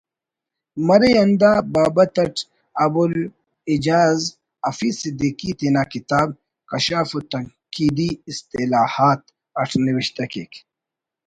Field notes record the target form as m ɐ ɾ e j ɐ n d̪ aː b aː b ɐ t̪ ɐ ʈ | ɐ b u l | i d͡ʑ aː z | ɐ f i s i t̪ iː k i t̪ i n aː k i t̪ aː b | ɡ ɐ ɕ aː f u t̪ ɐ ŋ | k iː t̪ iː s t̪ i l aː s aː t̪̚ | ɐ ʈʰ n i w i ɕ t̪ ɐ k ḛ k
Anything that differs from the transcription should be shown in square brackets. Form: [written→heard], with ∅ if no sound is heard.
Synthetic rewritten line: m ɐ ɾ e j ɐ n d̪ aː b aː b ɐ t̪ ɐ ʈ | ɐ b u l | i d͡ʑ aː z | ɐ f i s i [t̪→d̪] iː k i t̪ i n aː k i t̪ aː b | [ɡ→k] ɐ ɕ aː f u t̪ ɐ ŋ | k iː [t̪→d̪] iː s t̪ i l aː [s→h] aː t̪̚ | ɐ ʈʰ n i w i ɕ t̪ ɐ k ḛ k

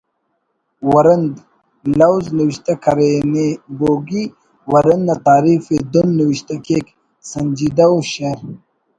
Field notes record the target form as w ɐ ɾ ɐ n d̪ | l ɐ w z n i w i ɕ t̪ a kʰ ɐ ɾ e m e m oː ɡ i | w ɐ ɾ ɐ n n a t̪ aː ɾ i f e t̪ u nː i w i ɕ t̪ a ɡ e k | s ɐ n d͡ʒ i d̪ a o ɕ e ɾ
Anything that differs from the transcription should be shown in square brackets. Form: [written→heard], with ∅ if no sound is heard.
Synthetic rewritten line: w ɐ ɾ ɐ n d̪ | l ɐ w z n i w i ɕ t̪ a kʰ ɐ ɾ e [m→n] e [m→b] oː ɡ i | w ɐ ɾ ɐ n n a t̪ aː ɾ i f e [t̪→d̪] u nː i w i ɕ t̪ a [ɡ→k] e k | s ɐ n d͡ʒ i d̪ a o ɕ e ɾ

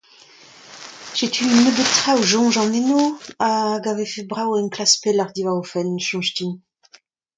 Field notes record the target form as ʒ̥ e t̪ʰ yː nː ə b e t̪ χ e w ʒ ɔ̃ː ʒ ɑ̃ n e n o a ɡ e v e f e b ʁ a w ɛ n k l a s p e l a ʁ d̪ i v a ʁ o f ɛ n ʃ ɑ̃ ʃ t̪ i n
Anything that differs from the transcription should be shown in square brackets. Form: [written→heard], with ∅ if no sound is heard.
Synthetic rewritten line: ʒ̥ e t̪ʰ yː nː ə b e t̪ χ [e→a] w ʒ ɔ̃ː ʒ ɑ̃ n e n o a ɡ [e→a] v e f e b ʁ a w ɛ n k l a s p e l a ʁ d̪ i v a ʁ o f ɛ n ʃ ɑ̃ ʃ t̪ i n

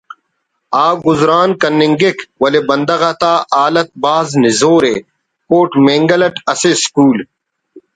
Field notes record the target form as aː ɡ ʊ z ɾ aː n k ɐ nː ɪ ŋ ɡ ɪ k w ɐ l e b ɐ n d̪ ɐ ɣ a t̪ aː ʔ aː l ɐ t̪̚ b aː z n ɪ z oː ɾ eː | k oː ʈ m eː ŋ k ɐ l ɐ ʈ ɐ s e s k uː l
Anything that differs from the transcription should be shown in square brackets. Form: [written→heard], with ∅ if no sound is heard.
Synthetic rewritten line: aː ɡ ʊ z ɾ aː n k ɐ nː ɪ ŋ ɡ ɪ k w ɐ l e b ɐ n d̪ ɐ ɣ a t̪ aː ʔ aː l ɐ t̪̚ b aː z n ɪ z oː ɾ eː | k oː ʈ m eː ŋ [k→ɡ] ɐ l ɐ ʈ ɐ s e s k uː l

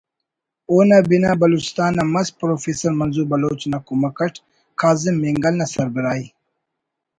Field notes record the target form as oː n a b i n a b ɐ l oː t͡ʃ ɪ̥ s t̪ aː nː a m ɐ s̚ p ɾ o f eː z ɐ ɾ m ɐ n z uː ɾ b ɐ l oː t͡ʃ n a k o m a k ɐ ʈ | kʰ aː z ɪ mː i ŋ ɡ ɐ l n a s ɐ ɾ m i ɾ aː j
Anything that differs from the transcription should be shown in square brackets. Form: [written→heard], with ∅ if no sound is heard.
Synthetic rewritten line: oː n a b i n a b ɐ l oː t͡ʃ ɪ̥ s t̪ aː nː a m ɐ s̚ p ɾ o f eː [z→s] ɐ ɾ m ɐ n z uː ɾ b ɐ l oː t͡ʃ n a k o m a k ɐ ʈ | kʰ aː z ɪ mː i ŋ ɡ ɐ l n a s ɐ ɾ [m→b] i ɾ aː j

